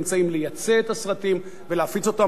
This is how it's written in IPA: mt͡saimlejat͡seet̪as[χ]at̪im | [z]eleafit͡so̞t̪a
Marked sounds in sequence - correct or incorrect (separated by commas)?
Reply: incorrect, incorrect